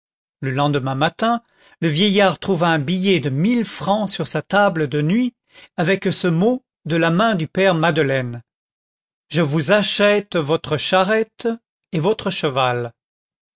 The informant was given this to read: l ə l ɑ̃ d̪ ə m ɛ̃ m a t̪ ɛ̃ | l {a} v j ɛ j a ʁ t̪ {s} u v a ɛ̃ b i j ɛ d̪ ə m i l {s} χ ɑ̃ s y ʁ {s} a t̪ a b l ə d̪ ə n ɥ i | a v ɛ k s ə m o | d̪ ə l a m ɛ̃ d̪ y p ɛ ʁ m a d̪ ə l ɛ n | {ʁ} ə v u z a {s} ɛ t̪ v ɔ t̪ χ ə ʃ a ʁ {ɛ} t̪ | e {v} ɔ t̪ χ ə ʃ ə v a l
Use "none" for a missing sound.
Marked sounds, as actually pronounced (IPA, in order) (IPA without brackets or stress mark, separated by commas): ə, χ, f, s, ʒ, ʃ, ɛ, v